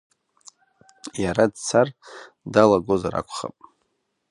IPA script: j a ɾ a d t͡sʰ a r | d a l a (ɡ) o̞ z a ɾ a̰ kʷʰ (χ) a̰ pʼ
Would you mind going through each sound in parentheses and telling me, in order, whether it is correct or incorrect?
correct, correct

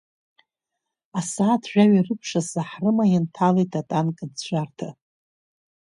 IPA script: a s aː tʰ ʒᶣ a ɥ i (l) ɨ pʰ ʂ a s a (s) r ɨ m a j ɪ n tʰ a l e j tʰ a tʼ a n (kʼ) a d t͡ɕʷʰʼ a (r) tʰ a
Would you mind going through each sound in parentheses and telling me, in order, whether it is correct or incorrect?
incorrect, incorrect, correct, correct

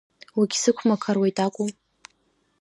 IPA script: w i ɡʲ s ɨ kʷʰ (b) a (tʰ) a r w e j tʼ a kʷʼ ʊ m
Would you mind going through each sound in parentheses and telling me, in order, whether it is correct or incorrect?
incorrect, incorrect

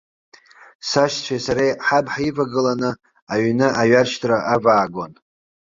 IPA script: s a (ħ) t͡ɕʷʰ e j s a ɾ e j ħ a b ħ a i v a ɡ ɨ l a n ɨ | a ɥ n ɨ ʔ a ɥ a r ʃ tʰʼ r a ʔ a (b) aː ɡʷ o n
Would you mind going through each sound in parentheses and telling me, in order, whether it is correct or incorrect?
incorrect, incorrect

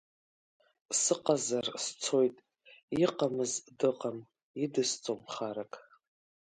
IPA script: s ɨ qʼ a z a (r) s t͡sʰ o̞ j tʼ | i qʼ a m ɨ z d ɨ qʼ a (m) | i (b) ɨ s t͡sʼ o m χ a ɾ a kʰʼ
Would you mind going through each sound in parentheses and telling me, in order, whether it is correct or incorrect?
correct, correct, incorrect

